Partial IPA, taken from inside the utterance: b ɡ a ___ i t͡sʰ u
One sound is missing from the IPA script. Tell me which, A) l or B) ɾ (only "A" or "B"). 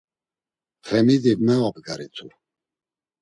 B